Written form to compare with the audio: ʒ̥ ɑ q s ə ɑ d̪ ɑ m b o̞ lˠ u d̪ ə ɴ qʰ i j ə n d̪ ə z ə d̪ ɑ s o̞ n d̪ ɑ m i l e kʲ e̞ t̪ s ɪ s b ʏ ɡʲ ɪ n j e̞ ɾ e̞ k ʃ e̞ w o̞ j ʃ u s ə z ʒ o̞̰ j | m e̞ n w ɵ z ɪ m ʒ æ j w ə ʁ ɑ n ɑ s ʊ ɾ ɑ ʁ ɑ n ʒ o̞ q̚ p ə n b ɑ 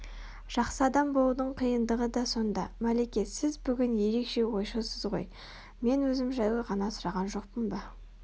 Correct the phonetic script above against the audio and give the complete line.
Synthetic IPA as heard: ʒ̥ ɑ q s ə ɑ d̪ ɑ m b o̞ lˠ u d̪ ə ɴ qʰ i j ə n d̪ ə ʁ ə d̪ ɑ s o̞ n d̪ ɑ m æ l e kʲ e̞ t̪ s ɪ z b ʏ ɡʲ ɪ n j e̞ ɾ e̞ k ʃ e̞ w o̞ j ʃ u s ə z ʁ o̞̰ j | m e̞ n w ɵ z ɪ m ʒ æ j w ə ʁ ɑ n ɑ s ʊ ɾ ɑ ʁ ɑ n ʒ o̞ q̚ p ə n b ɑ

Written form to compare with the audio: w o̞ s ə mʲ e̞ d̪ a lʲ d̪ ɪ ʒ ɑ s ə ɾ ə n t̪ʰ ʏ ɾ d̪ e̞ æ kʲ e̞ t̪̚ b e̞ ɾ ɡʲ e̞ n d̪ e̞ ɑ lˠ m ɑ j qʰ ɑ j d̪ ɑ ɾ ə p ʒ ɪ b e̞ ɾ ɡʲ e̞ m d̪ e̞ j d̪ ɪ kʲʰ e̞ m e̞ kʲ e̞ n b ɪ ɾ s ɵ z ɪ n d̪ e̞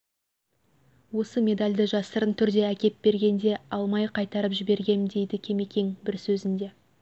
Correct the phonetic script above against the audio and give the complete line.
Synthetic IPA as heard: w o̞ s ə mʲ e̞ d̪ a lʲ d̪ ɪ ʒ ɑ s ə ɾ ə n t̪ʰ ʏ ɾ d̪ e̞ æ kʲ e̞ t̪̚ b e̞ ɾ ɡʲ e̞ n d̪ e̞ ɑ lˠ m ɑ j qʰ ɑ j t̪ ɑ ɾ ə p ʒ ɪ b e̞ ɾ ɡʲ e̞ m d̪ e̞ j d̪ ɪ kʲʰ e̞ m e̞ kʲ e̞ ŋ b ɪ ɾ s ɵ z ɪ n d̪ e̞

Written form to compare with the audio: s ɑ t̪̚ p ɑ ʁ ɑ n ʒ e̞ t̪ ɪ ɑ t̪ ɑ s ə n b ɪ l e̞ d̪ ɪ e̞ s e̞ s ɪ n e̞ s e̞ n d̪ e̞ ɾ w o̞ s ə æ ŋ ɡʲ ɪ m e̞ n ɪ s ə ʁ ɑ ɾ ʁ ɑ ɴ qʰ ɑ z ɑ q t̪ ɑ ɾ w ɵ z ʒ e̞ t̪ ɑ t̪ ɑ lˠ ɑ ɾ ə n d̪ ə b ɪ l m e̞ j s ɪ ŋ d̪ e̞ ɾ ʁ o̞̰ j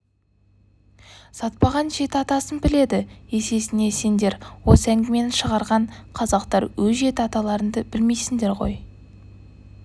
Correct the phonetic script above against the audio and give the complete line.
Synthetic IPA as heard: s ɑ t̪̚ p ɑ ʁ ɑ n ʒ e̞ t̪ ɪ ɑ t̪ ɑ s ə n b ɪ l e̞ d̪ ɪ e̞ s e̞ s ɪ n e̞ s e̞ n d̪ e̞ ɾ w o̞ s ə æ ŋ ɡʲ ɪ m e̞ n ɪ ʃ ə ʁ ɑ ɾ ʁ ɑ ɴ qʰ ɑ z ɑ q t̪ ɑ ɾ w ɵ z ʒ e̞ t̪ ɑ t̪ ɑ lˠ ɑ ɾ ə n d̪ ə b ɪ l m e̞ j s ɪ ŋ d̪ e̞ ɾ ʁ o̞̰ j

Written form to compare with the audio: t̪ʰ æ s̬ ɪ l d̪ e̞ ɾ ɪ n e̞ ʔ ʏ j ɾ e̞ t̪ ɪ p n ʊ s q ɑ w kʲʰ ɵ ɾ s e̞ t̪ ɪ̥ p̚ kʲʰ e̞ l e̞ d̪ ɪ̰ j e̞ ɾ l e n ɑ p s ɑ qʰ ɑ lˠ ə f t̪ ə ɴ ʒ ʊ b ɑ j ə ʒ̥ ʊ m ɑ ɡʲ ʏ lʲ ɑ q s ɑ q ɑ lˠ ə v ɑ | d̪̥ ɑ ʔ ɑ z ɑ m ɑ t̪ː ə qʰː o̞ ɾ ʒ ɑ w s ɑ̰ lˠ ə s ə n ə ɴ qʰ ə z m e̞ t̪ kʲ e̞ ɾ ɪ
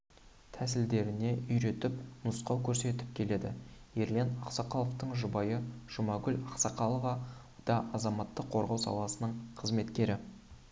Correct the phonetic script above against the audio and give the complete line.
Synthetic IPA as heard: t̪ʰ æ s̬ ɪ l d̪ e̞ ɾ ɪ n e̞ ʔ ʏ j ɾ e̞ t̪ ɪ p n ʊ s q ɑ w kʲʰ ɵ ɾ s e̞ t̪ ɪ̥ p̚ kʲʰ e̞ l e̞ d̪ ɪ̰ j e̞ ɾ l e n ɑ q s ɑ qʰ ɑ lˠ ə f t̪ ə ɴ ʒ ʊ b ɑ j ə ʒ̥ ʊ m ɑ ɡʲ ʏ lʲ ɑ q s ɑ q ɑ lˠ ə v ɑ | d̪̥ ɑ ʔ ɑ z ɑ m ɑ t̪ː ə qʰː o̞ ɾ ʁ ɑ w s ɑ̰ lˠ ɑ s ə n ə ɴ qʰ ə z m e̞ t̪ kʲ e̞ ɾ ɪ

